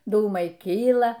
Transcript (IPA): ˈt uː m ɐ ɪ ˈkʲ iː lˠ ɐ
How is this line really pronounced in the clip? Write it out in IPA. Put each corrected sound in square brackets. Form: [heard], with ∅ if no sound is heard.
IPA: [ˈd] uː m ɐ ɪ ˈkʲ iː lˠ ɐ